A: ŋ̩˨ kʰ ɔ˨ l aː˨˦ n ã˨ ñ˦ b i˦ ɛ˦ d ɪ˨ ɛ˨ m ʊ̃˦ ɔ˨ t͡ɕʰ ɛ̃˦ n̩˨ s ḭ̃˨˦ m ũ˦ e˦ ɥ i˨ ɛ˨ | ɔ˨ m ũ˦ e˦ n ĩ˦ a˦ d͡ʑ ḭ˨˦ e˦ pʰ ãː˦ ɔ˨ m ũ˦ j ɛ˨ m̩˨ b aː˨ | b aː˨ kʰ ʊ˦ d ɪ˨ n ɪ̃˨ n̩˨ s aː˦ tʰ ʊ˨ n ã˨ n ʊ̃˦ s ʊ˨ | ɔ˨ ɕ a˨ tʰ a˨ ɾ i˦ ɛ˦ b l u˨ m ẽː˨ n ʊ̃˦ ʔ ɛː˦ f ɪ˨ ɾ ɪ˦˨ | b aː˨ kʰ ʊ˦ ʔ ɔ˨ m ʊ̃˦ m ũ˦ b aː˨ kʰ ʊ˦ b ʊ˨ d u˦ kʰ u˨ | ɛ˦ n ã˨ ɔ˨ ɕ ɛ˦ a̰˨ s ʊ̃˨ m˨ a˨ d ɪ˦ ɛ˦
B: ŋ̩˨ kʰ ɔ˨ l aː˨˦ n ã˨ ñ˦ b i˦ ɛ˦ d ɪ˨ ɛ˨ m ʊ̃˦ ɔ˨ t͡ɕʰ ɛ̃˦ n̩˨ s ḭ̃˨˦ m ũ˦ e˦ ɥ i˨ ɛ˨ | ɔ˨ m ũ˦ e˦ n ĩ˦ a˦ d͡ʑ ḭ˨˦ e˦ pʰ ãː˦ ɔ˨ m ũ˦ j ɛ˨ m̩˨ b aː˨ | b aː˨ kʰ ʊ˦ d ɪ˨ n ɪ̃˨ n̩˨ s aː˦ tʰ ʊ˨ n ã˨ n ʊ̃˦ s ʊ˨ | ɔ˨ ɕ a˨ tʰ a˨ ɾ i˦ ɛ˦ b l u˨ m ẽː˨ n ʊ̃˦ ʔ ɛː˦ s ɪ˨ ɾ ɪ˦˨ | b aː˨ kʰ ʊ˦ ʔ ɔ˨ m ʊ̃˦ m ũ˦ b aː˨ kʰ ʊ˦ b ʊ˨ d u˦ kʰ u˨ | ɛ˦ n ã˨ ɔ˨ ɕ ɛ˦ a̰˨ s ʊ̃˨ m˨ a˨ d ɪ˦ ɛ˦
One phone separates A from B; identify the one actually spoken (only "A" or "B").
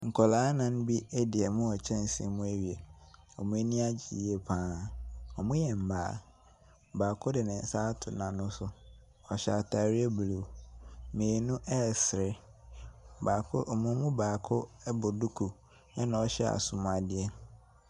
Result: B